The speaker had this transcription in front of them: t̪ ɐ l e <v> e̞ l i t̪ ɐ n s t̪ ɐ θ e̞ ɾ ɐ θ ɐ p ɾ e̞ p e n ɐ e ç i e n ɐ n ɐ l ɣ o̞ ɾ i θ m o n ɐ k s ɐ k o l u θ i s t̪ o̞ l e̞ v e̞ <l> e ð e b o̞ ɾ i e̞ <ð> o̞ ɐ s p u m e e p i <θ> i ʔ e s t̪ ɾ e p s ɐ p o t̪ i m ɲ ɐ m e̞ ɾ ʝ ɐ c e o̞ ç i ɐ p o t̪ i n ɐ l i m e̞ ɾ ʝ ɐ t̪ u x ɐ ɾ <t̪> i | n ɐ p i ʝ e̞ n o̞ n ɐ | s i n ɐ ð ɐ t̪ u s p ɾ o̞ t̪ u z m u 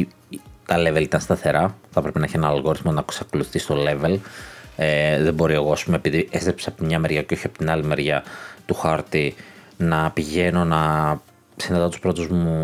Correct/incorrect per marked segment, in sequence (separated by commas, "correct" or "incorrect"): correct, correct, incorrect, incorrect, correct